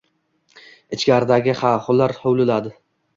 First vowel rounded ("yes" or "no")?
no